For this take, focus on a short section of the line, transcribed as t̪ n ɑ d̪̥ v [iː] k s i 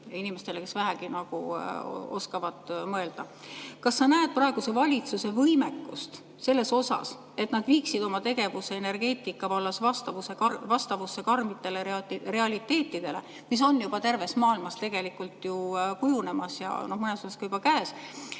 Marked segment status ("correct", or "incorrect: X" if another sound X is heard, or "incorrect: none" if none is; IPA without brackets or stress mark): correct